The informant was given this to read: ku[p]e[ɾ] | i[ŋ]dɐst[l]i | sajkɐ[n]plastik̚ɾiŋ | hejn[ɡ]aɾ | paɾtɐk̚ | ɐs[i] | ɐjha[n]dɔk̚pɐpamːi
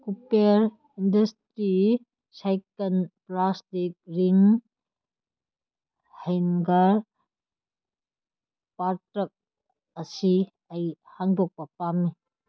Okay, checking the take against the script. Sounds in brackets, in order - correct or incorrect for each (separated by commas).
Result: correct, correct, incorrect, incorrect, correct, correct, correct, incorrect